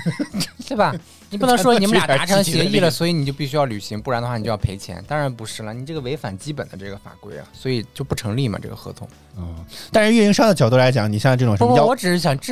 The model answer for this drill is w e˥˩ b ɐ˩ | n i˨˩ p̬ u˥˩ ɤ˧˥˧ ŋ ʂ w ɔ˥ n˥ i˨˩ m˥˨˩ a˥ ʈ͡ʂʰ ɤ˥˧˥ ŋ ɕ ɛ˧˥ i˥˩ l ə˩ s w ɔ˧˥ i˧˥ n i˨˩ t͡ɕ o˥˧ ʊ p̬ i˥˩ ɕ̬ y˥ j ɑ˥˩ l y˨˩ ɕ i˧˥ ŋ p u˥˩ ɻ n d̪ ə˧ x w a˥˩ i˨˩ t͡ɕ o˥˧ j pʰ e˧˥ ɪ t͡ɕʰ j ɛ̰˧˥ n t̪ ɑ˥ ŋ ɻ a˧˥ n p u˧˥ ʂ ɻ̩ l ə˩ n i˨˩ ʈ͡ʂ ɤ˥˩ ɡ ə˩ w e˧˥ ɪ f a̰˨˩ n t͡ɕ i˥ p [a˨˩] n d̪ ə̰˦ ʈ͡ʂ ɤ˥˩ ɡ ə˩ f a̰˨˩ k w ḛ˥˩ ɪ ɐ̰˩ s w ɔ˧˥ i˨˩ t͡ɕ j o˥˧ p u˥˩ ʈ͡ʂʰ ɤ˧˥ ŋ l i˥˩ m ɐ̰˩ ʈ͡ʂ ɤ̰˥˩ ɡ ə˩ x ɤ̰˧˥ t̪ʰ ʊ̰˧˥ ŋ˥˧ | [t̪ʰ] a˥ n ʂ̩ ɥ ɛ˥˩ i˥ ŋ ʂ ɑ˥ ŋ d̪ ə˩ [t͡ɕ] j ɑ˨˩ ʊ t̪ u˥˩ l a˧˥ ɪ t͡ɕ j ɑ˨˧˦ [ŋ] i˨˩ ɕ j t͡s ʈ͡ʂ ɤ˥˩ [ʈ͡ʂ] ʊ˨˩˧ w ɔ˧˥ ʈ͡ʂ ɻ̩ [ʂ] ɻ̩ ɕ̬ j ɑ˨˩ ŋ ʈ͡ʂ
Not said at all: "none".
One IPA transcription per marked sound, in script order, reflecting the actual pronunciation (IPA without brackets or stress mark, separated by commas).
ə˨˩, t̪, t͡ɕ, ŋ, ʈ͡ʂ, ʂ